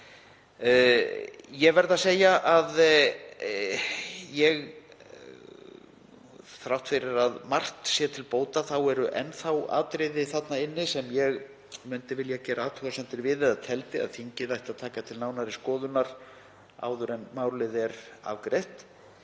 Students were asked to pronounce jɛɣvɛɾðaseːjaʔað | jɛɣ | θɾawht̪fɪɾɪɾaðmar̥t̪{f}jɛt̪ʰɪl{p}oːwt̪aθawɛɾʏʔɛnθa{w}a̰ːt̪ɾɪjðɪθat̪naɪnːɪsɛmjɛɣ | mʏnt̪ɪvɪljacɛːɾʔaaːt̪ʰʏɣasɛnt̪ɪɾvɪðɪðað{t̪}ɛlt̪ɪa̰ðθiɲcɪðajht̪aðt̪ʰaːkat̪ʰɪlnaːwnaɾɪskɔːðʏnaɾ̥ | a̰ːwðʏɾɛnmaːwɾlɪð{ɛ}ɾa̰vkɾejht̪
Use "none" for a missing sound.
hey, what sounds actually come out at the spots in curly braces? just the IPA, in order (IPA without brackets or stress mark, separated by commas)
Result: s, p, w, t̪ʰ, ɛ